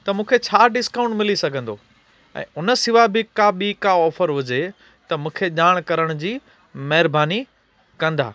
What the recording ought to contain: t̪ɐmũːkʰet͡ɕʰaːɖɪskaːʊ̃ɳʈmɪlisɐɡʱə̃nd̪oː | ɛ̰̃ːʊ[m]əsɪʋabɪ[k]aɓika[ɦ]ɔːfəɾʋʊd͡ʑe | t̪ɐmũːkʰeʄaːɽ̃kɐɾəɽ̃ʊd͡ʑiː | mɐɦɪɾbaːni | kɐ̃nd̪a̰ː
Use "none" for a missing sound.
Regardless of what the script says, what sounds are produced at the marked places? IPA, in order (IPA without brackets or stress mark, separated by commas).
n, k, none